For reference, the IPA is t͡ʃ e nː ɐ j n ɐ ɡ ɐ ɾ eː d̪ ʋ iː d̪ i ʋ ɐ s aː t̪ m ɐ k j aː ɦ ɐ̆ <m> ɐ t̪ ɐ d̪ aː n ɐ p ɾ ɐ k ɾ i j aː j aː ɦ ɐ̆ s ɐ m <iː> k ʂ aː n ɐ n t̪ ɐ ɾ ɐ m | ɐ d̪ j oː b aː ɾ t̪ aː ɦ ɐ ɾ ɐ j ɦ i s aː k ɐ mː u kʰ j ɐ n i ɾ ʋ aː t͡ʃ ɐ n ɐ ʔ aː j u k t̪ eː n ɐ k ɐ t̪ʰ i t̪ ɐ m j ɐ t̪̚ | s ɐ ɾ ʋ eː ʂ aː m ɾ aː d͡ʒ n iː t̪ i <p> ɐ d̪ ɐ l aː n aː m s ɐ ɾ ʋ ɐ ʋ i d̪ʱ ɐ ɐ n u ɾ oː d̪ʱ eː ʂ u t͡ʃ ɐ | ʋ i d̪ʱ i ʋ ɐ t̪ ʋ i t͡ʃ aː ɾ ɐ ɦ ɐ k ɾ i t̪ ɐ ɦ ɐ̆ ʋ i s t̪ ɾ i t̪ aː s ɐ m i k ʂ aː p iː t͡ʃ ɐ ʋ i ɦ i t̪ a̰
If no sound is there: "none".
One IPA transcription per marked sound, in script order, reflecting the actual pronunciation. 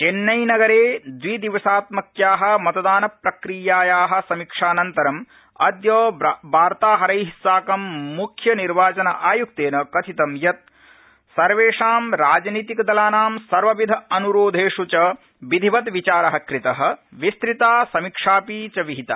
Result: m, i, k

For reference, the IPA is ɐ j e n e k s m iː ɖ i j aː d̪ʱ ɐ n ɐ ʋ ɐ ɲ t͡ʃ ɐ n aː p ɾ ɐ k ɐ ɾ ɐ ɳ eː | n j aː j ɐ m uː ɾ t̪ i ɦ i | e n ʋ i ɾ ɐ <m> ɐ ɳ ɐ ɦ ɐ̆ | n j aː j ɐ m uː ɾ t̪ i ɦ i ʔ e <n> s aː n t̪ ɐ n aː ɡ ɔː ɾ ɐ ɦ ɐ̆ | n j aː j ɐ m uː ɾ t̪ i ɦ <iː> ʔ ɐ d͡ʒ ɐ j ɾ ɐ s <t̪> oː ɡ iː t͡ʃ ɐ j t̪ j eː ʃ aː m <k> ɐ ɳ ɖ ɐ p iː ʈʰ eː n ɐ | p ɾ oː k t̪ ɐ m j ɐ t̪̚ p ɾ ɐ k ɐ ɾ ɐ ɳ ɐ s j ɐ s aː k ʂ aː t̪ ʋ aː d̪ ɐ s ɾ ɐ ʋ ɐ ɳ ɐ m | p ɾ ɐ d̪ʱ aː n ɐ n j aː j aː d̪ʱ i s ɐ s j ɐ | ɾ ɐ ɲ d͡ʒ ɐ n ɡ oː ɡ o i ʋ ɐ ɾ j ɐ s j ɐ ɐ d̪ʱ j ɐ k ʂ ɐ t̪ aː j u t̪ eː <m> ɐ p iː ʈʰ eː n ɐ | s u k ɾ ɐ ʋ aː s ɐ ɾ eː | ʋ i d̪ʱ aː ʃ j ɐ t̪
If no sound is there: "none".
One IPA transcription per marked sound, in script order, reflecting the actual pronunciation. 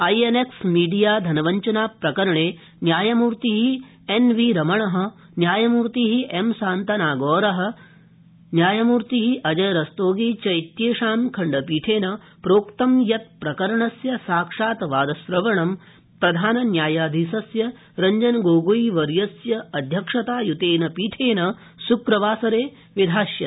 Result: m, m, i, t̪, kʰ, n

